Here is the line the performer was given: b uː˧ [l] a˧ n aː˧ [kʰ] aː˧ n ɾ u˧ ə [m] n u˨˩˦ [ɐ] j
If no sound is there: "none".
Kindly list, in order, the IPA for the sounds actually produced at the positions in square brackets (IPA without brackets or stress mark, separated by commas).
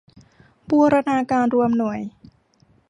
ɾ, k, m, ə